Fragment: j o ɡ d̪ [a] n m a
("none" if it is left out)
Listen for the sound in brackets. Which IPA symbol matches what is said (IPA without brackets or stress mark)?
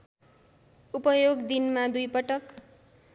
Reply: i